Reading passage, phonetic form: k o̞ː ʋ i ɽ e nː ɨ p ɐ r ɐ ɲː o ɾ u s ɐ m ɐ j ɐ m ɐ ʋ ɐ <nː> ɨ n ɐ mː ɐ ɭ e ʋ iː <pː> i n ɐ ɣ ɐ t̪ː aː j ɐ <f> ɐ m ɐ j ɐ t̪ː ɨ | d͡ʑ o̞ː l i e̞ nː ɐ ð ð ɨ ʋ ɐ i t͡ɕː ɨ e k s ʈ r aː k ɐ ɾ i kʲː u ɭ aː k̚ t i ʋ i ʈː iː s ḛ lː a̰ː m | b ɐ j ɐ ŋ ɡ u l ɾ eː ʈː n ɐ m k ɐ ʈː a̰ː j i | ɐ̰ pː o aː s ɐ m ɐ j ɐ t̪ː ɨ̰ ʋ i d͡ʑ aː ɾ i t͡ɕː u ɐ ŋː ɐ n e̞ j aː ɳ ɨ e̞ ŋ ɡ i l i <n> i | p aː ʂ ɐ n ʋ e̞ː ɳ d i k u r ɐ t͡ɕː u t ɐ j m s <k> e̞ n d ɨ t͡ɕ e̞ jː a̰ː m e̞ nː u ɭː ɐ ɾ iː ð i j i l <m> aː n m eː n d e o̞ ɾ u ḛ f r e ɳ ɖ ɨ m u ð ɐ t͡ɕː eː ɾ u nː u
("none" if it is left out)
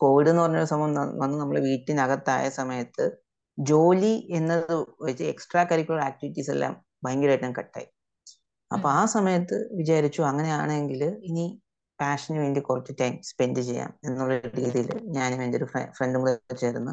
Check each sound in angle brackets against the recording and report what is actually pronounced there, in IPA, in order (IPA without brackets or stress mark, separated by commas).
nː, ʈː, s, n, p, ɲ